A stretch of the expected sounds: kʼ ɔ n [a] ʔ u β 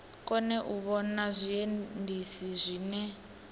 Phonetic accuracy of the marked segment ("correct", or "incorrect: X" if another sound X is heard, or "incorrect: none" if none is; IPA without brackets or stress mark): incorrect: ɛ